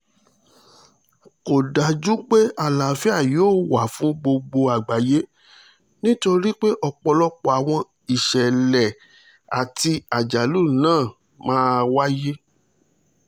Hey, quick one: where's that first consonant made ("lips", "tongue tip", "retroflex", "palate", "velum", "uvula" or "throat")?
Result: velum